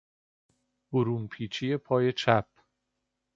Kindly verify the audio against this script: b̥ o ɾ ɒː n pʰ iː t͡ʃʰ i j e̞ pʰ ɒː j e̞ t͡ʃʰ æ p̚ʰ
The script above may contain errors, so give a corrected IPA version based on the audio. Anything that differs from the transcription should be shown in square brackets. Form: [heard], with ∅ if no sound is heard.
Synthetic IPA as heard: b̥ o ɾ [uː] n pʰ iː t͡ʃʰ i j e̞ pʰ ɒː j e̞ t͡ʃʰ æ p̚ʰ